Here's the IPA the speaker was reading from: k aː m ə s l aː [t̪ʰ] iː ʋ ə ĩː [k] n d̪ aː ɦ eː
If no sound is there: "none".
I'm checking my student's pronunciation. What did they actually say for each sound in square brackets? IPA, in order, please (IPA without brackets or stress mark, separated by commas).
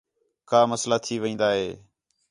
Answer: t̪ʰ, none